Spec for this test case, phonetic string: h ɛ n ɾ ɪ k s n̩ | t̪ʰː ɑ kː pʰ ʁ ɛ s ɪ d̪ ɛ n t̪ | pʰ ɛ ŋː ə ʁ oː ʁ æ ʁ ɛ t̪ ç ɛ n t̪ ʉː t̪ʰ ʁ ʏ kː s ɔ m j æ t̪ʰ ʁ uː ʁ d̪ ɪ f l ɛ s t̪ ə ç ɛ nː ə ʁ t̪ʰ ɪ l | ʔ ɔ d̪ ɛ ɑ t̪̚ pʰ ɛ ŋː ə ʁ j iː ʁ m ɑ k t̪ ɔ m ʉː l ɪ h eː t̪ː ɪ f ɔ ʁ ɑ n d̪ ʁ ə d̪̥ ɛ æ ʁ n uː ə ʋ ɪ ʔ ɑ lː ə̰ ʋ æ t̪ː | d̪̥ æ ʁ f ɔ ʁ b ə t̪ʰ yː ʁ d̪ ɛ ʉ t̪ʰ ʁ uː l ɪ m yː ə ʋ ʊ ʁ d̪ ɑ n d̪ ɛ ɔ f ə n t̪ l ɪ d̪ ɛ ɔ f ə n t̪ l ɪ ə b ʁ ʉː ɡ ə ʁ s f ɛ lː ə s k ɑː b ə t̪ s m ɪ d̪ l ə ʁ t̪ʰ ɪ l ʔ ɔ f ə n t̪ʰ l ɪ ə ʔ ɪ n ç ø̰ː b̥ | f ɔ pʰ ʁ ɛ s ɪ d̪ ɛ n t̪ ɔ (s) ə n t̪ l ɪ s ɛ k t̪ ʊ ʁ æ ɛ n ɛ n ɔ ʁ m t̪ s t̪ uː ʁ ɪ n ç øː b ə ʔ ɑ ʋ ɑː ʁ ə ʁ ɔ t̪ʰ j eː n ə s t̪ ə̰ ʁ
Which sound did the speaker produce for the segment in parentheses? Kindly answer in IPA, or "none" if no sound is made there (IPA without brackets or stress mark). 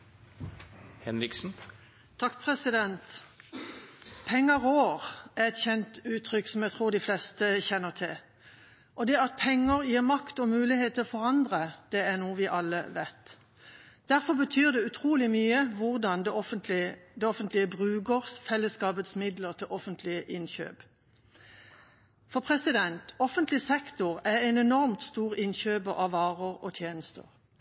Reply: f